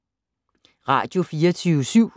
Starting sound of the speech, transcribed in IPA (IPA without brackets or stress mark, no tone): ʁ